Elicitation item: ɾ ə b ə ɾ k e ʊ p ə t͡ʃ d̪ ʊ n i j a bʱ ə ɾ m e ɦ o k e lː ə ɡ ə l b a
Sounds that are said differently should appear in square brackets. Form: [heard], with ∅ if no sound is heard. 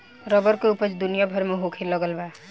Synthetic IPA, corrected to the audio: ɾ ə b ə ɾ k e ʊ p ə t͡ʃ d̪ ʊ n i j a bʱ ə ɾ m e ɦ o [kʰ] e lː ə ɡ ə l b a